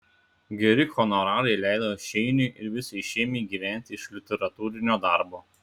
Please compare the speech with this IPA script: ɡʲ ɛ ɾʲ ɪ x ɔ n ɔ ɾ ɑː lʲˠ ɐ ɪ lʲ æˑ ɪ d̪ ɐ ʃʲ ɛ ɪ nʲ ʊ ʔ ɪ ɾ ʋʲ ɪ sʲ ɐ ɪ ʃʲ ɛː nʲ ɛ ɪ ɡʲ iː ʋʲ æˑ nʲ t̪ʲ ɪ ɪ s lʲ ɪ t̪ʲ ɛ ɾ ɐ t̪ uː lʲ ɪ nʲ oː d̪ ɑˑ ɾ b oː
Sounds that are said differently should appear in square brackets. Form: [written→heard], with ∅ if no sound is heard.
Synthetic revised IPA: ɡʲ ɛ ɾʲ ɪ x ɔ n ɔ ɾ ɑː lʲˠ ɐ ɪ lʲ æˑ ɪ d̪ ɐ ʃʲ ɛ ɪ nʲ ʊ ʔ ɪ ɾ ʋʲ ɪ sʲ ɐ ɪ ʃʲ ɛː [nʲ→mʲ] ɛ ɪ ɡʲ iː ʋʲ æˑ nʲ t̪ʲ ɪ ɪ [s→ʃ] lʲ ɪ t̪ʲ ɛ ɾ ɐ t̪ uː [lʲ→ɾʲ] ɪ nʲ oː d̪ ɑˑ ɾ b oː